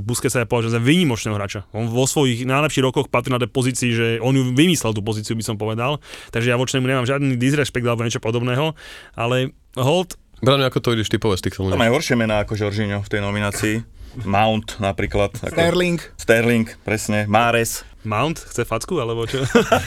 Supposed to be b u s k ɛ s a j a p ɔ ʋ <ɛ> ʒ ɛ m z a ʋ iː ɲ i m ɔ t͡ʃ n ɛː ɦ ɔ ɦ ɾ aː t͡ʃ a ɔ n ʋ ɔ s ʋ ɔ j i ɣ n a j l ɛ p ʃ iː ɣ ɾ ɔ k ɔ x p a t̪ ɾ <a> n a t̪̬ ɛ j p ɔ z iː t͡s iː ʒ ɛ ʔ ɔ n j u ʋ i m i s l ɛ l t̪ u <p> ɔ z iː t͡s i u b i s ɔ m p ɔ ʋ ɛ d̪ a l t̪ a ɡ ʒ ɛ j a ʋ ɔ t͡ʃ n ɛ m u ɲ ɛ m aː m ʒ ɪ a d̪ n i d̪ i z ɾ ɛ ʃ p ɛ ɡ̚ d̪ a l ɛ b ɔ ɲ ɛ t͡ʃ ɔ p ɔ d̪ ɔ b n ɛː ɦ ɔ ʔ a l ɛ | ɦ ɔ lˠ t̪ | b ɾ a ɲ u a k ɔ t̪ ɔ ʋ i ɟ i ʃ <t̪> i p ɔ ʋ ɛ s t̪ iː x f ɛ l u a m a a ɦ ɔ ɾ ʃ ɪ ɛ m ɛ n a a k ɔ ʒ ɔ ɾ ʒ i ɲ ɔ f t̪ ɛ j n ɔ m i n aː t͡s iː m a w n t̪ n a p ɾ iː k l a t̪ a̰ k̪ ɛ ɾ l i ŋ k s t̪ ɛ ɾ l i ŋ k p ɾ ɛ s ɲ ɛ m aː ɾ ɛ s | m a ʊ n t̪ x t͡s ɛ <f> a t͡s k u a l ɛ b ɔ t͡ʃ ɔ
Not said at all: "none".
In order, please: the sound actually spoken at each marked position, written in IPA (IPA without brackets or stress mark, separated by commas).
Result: a, i, p, t̪, f